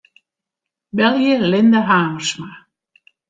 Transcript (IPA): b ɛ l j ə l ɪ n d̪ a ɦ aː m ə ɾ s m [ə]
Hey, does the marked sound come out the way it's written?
no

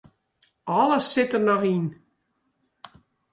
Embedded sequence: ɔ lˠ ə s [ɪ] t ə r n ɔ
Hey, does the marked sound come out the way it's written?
yes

